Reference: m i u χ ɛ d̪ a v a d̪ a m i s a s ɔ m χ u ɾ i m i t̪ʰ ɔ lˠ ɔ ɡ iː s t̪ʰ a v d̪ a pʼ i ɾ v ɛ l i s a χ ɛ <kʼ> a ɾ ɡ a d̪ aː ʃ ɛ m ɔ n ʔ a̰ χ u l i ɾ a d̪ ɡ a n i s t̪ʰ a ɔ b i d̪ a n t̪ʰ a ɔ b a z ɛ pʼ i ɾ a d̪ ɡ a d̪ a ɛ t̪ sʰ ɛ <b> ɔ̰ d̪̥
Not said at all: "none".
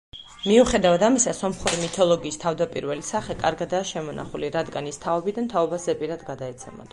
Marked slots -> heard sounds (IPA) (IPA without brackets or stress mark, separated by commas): kʼ, m